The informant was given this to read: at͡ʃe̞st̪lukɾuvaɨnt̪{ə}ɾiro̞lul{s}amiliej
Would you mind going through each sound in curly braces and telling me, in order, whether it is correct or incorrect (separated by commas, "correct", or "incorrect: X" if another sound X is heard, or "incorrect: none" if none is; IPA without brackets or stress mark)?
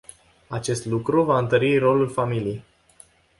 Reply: correct, incorrect: f